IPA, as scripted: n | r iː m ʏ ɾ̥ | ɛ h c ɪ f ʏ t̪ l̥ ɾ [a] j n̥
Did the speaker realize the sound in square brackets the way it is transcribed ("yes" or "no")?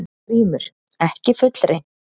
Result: no